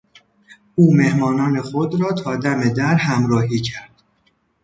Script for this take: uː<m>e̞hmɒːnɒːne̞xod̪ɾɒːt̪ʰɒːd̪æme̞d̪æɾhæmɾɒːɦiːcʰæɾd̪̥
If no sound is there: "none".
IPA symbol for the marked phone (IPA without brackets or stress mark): m